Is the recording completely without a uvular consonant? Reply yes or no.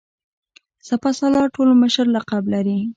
no